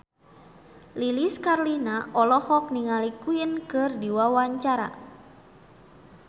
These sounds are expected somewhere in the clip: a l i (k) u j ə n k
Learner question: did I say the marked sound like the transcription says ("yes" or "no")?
yes